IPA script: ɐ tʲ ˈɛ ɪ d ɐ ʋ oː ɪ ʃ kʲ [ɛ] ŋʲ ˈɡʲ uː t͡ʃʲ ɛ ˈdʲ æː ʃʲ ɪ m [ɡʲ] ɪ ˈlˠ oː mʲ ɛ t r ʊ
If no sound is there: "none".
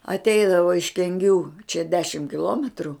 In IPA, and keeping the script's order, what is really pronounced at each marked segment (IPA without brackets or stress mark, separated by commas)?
ɛ, kʲ